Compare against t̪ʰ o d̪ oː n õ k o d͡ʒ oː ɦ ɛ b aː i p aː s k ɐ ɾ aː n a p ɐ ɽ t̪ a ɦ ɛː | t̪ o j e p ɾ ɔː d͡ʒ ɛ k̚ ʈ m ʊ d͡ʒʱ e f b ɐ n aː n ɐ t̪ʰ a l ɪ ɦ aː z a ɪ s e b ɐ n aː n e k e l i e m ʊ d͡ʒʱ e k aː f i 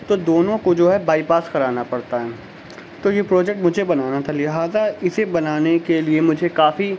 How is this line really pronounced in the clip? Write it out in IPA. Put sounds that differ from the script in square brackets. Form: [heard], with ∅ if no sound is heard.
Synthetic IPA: [t̪] o d̪ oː n õ k o d͡ʒ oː ɦ ɛ b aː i p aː s k ɐ ɾ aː n a p ɐ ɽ t̪ a ɦ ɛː | t̪ o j e p ɾ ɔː d͡ʒ ɛ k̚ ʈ m ʊ d͡ʒʱ e [∅] b ɐ n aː n [a] t̪ʰ a l ɪ ɦ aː z a ɪ s e b ɐ n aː n e k e l i e m ʊ d͡ʒʱ e k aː f i